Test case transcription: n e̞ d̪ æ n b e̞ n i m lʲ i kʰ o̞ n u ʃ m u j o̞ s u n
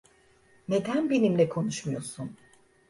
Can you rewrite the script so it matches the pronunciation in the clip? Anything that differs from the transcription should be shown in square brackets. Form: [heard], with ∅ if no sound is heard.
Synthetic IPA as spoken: n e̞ d̪ æ n b e̞ n i m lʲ [ɛ] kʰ o̞ n u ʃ m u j o̞ s u n